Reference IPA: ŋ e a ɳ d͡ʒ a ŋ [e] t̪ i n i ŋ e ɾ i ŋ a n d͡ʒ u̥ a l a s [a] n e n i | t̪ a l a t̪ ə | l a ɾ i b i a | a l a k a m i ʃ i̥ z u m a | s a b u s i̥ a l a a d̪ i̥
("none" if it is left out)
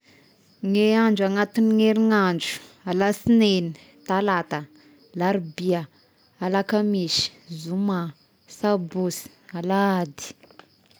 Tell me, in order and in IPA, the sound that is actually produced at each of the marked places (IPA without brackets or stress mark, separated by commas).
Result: a, i